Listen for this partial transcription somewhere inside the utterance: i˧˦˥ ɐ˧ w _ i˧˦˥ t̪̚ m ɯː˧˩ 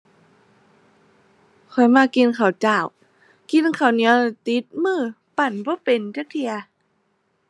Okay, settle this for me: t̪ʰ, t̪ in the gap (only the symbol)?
t̪